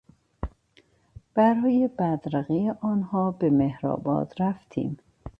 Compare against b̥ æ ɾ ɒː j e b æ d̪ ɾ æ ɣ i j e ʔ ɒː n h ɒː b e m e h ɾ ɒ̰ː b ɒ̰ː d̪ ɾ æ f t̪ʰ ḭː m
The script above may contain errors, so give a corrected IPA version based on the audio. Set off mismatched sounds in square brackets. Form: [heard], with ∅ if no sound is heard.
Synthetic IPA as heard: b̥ æ ɾ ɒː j e b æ d̪ ɾ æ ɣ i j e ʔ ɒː n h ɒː b e m e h ɾ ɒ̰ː b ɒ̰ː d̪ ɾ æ f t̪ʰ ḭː m